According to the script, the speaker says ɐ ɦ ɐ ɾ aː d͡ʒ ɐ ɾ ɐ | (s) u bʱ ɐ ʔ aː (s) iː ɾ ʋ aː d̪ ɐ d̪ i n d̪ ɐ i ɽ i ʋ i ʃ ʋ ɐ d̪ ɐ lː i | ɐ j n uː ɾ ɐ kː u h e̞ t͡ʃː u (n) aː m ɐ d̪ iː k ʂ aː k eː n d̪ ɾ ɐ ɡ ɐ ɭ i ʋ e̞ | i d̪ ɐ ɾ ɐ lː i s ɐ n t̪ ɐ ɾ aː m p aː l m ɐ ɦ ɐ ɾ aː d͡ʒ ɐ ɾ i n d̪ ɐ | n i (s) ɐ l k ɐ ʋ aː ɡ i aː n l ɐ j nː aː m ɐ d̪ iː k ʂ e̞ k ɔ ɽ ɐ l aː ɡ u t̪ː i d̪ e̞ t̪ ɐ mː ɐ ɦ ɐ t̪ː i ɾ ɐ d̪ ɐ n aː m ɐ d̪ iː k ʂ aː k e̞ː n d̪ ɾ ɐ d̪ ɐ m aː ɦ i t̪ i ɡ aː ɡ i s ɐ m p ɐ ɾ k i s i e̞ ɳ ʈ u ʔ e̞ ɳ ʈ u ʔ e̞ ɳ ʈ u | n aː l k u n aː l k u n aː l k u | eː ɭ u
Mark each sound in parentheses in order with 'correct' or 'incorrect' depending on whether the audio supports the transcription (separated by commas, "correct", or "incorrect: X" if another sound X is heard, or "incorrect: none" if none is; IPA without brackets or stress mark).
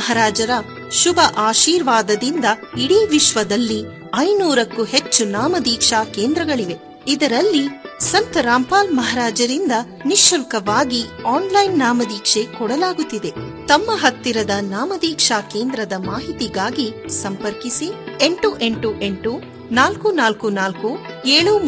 incorrect: ʃ, incorrect: ʃ, correct, incorrect: ʃ